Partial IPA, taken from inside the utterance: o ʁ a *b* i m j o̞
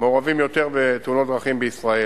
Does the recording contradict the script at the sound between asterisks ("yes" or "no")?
yes